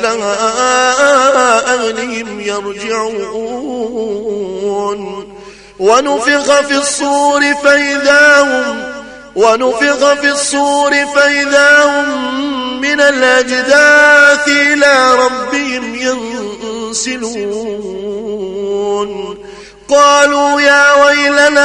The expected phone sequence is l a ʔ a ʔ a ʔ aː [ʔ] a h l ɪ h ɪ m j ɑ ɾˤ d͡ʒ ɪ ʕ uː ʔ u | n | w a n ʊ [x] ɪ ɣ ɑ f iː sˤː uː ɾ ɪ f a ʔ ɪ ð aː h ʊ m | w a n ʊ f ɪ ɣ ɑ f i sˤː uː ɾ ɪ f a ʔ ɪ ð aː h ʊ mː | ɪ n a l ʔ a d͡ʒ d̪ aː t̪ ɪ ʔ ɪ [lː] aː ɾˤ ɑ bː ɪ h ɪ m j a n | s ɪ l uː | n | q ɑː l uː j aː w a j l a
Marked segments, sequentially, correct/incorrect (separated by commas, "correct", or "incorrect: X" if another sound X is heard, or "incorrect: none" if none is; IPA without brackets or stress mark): correct, incorrect: f, incorrect: l